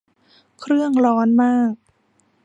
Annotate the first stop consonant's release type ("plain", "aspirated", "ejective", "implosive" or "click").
aspirated